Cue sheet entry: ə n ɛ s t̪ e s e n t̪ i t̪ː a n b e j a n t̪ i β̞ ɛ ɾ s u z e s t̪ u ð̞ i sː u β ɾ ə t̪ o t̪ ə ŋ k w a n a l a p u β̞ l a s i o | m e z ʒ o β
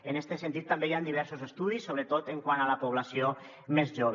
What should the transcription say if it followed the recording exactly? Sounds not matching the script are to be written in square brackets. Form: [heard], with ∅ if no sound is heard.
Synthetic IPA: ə n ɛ s t̪ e s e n t̪ i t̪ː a [m] b e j a n [d̪] i β̞ ɛ ɾ s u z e s t̪ u ð̞ i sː [o] β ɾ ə t̪ o t̪ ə ŋ k w a n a l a p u β̞ l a s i o | m e z ʒ o β